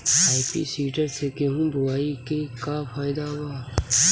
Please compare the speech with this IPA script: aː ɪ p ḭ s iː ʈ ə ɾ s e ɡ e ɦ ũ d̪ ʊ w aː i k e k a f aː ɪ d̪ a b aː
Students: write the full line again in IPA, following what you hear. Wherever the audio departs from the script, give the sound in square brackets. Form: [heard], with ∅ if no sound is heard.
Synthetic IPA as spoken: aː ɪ p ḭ s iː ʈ ə ɾ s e [k] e ɦ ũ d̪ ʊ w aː i k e k a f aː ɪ d̪ a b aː